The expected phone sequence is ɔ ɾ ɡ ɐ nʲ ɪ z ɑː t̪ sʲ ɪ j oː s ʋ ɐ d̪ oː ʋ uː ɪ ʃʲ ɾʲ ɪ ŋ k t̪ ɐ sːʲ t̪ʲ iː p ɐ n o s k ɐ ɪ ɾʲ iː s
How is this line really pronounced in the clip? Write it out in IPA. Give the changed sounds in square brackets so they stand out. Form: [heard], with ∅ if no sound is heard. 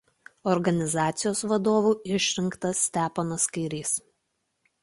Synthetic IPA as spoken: ɔ ɾ ɡ ɐ nʲ ɪ z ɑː t̪ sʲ ɪ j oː s ʋ ɐ d̪ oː ʋ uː ɪ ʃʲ ɾʲ ɪ ŋ k t̪ ɐ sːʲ t̪ʲ [æː] p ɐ n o s k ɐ ɪ ɾʲ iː s